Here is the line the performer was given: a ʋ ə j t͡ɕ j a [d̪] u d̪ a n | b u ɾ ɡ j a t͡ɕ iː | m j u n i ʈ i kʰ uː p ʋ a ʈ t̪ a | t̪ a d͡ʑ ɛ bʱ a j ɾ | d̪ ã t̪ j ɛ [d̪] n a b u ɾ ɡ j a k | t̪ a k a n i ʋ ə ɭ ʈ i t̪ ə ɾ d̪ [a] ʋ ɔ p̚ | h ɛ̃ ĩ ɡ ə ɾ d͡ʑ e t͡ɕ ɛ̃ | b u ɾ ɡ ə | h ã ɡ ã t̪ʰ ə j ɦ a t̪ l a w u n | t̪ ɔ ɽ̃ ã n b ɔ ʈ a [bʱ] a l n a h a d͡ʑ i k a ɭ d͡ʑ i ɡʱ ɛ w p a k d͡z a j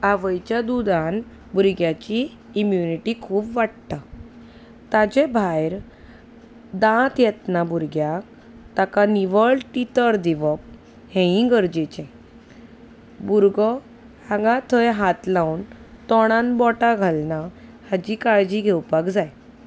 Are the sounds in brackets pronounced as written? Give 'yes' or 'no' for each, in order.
yes, no, no, no

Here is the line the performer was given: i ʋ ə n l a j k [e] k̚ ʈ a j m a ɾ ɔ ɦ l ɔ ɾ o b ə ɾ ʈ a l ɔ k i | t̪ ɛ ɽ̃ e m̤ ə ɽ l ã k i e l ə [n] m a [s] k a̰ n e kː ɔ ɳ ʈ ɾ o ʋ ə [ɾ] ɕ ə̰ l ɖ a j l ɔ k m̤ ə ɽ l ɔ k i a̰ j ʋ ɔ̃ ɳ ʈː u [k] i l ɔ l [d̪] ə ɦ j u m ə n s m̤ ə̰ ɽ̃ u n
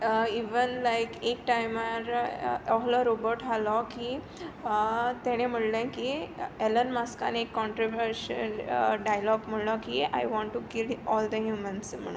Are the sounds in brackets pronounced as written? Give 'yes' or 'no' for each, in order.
yes, yes, yes, yes, yes, yes

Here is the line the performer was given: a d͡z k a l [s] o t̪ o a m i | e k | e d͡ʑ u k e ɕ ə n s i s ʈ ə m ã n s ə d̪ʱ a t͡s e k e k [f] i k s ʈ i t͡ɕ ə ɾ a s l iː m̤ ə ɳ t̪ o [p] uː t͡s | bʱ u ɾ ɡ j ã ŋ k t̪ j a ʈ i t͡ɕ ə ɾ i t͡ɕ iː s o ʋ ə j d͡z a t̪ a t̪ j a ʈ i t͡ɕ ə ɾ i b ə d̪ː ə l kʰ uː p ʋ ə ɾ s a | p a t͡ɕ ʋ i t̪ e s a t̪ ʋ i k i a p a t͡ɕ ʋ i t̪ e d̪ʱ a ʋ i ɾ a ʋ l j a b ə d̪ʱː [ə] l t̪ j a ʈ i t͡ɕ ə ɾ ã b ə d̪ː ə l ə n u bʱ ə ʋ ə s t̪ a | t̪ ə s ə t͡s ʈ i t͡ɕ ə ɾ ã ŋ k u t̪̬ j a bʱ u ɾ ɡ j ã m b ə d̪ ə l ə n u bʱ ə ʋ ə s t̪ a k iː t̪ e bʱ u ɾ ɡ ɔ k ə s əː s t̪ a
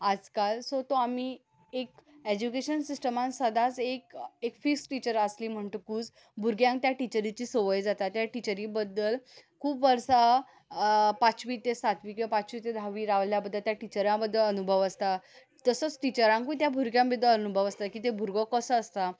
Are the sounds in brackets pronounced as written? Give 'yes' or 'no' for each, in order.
yes, yes, no, yes

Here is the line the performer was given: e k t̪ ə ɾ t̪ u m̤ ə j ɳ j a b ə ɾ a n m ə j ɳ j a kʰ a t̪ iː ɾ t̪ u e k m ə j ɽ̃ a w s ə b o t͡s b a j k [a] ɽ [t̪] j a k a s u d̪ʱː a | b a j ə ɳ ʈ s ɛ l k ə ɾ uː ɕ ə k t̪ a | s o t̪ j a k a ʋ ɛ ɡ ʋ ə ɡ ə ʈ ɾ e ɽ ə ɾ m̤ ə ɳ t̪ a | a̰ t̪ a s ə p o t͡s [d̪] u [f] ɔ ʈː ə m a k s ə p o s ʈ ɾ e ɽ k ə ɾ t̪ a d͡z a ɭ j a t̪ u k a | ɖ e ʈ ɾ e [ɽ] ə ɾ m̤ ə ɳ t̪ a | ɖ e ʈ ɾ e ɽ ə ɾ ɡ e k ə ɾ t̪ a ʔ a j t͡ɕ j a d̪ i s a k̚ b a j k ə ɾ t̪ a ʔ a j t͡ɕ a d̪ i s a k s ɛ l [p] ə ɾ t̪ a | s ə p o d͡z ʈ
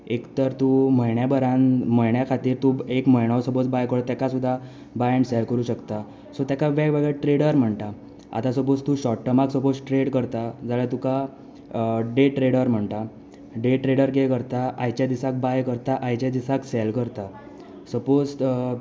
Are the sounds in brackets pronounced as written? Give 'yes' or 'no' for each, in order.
no, yes, no, no, yes, no

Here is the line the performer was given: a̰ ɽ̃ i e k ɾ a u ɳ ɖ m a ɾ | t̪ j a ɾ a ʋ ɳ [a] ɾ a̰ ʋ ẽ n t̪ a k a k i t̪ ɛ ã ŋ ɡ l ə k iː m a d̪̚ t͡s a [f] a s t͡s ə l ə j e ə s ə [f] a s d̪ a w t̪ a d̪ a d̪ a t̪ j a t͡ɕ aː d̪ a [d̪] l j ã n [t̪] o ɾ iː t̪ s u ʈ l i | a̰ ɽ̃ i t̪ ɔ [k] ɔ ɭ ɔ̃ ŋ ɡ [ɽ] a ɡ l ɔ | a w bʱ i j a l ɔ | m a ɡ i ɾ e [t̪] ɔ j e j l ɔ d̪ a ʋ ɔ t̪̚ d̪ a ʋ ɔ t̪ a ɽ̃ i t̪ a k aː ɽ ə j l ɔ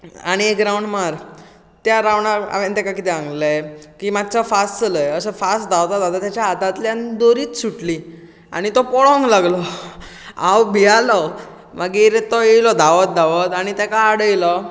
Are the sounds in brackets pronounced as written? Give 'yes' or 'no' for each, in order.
yes, yes, yes, no, no, no, no, yes

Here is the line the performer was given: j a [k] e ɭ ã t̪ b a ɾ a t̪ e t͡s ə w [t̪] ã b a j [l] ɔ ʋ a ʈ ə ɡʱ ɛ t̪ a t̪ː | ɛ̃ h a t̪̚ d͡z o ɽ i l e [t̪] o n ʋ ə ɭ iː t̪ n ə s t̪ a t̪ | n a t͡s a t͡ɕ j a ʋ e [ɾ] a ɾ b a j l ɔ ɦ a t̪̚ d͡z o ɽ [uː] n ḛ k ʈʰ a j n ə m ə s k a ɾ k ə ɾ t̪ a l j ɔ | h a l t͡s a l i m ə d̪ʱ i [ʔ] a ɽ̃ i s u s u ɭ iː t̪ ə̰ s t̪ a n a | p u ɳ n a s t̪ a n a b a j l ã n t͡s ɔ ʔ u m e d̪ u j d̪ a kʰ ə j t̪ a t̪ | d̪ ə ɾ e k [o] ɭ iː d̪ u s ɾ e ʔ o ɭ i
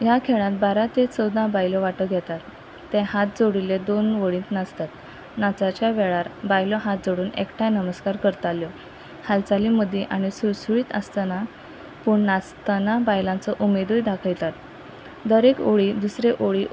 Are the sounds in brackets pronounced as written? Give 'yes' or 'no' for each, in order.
no, no, yes, no, no, yes, yes, yes

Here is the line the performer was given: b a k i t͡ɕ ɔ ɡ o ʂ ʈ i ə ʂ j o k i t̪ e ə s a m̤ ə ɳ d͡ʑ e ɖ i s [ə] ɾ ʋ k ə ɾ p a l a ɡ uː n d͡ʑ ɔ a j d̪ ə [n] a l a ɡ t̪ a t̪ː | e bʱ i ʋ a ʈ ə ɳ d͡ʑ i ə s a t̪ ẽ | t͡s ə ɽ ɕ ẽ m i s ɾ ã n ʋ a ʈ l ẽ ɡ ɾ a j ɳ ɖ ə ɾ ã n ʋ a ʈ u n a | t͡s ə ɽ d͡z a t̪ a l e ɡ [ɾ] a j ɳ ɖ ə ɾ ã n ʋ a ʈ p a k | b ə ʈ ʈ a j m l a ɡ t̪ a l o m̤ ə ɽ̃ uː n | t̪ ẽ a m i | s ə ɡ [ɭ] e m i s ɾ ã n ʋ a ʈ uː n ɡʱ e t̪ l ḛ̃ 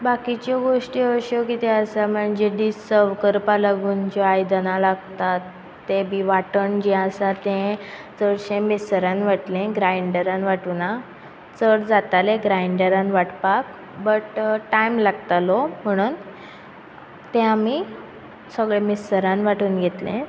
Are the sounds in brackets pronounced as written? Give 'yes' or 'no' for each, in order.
yes, yes, yes, yes

